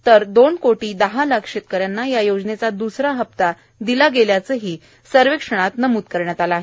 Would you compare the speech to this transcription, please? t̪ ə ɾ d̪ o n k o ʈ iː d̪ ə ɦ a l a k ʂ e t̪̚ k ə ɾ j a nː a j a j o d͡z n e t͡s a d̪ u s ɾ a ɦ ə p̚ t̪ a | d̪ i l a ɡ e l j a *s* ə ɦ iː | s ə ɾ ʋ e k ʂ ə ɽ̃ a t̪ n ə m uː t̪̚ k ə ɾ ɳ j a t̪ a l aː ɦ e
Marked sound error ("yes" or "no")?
yes